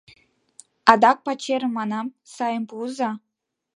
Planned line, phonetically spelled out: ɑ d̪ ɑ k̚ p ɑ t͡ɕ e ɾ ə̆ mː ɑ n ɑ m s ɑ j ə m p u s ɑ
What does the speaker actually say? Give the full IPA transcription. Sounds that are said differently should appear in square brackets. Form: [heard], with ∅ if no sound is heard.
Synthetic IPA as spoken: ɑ d̪ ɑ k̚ p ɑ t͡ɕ e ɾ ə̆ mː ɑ n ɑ m s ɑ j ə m p u [z] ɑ